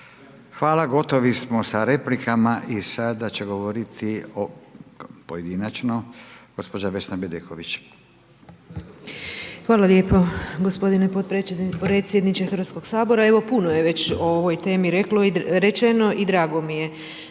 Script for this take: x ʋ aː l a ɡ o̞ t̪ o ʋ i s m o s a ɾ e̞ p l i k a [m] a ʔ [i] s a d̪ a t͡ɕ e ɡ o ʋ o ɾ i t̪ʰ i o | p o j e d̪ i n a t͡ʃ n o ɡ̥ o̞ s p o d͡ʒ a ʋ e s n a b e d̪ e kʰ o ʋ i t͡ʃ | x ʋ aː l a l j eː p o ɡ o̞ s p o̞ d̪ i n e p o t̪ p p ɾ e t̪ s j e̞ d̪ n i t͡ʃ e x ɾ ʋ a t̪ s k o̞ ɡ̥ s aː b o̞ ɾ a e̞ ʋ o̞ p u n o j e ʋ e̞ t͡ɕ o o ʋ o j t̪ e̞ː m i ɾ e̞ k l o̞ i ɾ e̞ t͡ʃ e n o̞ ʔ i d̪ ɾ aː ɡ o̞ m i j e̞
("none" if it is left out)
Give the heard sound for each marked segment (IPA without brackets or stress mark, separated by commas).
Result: m, i